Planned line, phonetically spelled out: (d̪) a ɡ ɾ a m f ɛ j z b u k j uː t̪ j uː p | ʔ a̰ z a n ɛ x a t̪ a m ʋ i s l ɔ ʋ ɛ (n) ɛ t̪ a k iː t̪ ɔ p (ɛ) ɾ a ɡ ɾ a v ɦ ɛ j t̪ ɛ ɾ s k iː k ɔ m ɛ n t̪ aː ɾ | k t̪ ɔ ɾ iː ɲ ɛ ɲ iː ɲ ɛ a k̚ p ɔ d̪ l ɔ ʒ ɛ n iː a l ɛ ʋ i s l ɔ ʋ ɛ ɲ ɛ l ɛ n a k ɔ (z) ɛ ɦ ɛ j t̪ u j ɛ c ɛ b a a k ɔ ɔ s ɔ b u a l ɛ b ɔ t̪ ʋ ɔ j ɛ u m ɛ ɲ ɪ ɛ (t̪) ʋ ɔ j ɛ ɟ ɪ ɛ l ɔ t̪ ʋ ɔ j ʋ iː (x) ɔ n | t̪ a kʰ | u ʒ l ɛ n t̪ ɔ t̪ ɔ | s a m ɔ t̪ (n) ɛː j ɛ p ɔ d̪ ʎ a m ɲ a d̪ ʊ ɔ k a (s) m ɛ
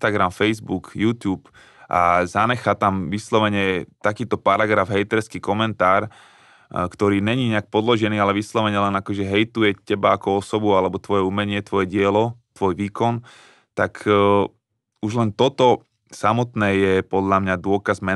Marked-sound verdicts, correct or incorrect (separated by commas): incorrect, incorrect, incorrect, incorrect, correct, incorrect, correct, incorrect